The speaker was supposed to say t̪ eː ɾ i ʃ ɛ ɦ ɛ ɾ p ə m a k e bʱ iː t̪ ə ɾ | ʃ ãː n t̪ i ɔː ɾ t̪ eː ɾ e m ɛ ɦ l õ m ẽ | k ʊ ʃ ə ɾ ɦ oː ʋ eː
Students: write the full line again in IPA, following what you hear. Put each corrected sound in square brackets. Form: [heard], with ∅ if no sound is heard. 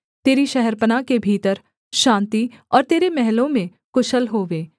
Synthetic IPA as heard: t̪ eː ɾ i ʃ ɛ ɦ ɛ ɾ p ə [n] a k e bʱ iː t̪ ə ɾ | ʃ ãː n t̪ i ɔː ɾ t̪ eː ɾ e m ɛ ɦ l õ m ẽ | k ʊ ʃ ə [l] ɦ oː ʋ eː